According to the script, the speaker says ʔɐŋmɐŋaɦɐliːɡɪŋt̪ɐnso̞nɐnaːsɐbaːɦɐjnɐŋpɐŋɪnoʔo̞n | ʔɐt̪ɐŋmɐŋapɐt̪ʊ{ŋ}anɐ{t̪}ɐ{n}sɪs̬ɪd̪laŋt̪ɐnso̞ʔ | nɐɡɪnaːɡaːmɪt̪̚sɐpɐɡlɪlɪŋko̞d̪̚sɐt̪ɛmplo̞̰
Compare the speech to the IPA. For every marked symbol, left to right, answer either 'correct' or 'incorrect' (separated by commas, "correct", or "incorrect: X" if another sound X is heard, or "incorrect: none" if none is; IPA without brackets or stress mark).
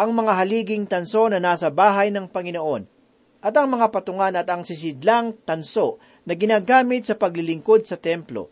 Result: correct, correct, incorrect: ŋ